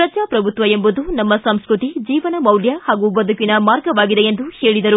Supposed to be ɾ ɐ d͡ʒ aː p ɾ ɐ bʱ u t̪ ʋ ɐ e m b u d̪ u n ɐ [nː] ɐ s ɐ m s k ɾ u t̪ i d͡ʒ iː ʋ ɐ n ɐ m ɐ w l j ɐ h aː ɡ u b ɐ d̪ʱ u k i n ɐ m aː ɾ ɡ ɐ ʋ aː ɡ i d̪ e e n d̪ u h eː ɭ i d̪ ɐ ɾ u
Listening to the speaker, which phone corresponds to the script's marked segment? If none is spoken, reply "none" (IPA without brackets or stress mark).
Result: mː